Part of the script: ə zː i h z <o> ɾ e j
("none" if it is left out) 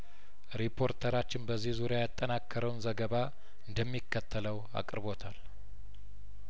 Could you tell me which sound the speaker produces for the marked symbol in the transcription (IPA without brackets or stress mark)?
u